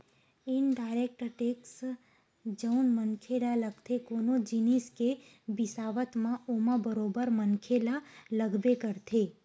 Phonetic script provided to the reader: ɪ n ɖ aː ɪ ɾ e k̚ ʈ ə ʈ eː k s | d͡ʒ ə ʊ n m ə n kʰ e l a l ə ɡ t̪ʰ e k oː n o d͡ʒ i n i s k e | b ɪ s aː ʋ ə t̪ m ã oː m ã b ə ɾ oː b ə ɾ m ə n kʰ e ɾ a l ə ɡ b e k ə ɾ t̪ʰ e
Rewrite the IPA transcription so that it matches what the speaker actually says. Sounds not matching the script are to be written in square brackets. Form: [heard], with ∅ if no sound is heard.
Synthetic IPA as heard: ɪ n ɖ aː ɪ ɾ e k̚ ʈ ə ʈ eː k s | d͡ʒ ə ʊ n m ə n kʰ e l a l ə ɡ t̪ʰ e k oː n o d͡ʒ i n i s k e | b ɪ s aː ʋ ə t̪ m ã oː m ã b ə ɾ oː b ə ɾ m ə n kʰ e [l] a l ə ɡ b e k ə ɾ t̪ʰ e